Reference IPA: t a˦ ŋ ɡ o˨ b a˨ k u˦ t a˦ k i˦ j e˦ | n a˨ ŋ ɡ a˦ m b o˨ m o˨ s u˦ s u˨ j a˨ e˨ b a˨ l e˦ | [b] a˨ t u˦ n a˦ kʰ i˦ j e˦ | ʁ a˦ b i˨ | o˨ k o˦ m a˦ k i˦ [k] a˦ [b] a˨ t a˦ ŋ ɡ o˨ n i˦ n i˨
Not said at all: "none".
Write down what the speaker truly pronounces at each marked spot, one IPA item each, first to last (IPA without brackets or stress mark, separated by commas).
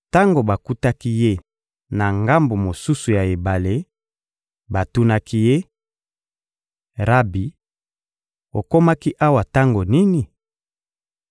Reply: b, ʔ, w